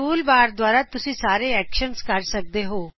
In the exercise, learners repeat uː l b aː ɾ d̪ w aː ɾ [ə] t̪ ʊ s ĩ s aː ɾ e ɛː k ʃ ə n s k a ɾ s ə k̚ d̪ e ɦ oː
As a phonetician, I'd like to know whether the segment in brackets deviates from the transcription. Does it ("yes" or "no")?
yes